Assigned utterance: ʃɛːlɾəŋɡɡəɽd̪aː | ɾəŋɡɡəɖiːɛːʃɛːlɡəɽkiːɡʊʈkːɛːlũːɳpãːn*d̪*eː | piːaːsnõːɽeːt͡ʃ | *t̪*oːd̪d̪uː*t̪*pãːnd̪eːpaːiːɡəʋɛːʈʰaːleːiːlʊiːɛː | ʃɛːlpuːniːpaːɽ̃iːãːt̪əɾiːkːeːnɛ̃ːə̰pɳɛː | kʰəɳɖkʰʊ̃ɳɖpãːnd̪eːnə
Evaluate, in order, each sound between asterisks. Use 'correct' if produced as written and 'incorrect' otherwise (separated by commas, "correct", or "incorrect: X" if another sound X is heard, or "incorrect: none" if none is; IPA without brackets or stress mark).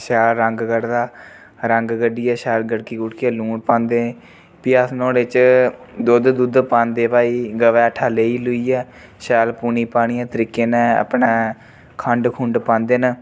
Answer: correct, incorrect: d̪, incorrect: d̪